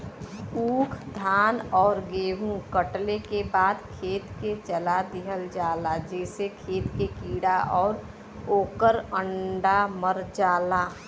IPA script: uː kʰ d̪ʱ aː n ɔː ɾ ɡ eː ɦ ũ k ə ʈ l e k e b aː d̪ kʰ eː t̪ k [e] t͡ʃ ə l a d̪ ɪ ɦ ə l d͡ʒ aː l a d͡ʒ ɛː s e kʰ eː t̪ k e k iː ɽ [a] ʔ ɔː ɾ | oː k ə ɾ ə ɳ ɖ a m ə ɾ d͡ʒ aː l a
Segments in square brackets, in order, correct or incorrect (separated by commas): correct, correct